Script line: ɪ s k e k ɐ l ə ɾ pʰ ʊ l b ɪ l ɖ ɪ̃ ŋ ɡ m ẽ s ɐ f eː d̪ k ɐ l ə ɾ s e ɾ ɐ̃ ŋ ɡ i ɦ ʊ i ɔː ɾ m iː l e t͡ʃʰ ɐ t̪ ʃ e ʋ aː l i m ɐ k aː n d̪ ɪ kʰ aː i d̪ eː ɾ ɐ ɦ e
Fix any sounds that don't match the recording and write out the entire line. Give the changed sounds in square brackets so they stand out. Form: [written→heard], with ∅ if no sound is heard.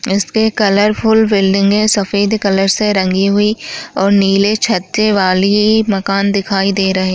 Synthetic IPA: ɪ s k e k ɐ l ə ɾ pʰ ʊ l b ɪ l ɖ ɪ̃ ŋ ɡ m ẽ s ɐ f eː d̪ k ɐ l ə ɾ s e ɾ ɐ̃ ŋ ɡ i ɦ ʊ i ɔː ɾ [m→n] iː l e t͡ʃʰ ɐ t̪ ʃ e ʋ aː l i m ɐ k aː n d̪ ɪ kʰ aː i d̪ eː ɾ ɐ ɦ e